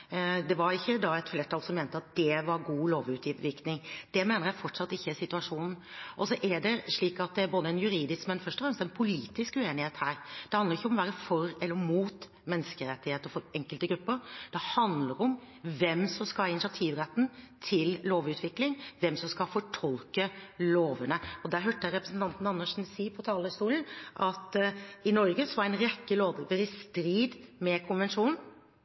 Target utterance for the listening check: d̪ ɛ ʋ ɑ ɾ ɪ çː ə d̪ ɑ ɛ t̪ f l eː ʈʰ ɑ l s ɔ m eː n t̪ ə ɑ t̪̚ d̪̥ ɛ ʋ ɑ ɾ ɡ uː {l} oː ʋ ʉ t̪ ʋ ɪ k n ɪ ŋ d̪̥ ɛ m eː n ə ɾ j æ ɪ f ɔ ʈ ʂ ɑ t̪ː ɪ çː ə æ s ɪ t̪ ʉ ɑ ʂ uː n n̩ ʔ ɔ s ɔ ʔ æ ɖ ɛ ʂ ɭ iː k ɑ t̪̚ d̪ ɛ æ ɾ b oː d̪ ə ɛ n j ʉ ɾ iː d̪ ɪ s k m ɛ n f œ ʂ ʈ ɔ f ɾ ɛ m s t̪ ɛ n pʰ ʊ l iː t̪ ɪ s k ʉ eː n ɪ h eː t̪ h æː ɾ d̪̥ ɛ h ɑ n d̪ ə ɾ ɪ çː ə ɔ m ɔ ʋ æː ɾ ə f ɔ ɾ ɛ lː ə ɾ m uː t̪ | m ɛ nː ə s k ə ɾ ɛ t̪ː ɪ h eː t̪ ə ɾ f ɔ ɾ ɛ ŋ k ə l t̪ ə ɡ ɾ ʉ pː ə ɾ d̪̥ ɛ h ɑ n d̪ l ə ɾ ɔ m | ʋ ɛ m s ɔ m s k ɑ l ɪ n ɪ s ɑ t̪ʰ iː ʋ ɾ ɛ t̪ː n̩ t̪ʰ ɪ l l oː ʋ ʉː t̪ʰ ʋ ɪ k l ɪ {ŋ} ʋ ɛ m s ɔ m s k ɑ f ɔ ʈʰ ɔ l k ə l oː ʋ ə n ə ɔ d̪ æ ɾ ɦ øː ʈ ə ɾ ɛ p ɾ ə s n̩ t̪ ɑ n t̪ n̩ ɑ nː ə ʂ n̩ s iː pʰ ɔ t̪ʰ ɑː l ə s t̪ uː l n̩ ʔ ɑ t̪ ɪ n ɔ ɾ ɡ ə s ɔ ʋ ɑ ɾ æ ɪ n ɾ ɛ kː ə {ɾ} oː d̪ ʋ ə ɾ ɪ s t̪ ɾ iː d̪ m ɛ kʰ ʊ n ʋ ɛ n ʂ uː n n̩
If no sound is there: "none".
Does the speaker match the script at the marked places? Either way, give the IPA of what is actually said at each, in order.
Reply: l, ŋ, l

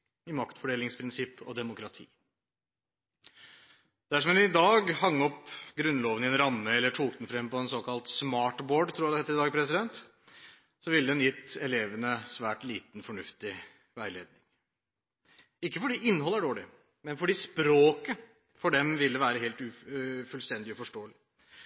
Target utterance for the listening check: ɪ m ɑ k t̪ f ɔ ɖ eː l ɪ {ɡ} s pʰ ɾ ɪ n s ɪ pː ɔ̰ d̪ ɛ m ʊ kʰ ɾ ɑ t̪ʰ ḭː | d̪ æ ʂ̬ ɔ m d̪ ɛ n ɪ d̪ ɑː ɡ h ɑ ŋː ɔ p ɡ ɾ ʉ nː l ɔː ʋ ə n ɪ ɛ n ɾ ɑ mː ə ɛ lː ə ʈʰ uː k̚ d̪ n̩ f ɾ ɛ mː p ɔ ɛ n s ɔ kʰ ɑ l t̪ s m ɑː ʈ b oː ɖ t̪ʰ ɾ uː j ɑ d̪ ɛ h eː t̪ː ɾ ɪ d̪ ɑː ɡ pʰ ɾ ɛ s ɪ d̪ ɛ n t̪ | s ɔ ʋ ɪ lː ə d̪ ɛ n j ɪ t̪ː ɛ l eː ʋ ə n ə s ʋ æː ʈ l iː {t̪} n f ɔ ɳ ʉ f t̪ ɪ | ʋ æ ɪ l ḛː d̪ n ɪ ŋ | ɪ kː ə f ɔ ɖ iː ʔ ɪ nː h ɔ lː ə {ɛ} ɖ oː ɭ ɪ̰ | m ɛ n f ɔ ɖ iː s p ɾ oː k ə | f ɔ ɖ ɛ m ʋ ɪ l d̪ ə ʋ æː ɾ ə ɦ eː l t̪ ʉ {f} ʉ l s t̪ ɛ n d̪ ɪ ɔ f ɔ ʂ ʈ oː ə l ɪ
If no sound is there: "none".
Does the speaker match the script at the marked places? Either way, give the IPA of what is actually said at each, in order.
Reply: ŋ, t̪, æ, f

